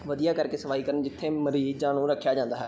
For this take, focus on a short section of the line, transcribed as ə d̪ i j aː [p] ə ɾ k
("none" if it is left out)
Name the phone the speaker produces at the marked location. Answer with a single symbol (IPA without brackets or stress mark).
k